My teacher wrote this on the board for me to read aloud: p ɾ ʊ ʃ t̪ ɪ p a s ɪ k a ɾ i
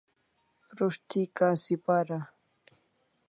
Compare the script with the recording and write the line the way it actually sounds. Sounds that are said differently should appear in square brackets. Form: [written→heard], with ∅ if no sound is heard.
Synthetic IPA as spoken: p ɾ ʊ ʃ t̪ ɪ [p→k] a s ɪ [k→p] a ɾ [i→a]